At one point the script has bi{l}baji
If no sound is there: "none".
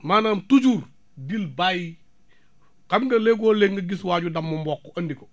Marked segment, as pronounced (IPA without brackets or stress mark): l